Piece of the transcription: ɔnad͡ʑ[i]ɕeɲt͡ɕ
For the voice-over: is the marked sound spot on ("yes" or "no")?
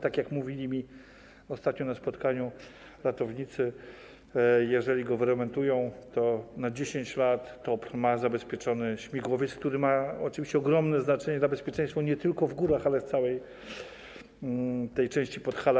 no